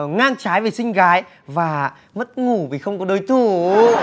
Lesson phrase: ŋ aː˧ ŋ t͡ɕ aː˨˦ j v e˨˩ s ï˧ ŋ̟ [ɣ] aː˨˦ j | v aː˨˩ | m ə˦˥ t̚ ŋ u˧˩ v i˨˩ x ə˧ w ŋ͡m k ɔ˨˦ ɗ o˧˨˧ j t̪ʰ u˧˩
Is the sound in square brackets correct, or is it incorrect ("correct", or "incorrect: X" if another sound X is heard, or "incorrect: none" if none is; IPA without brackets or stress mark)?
correct